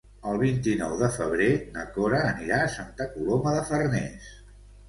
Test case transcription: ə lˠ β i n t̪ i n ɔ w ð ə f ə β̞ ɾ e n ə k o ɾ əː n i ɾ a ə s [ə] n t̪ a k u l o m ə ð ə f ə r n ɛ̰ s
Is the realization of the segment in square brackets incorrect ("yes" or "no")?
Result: yes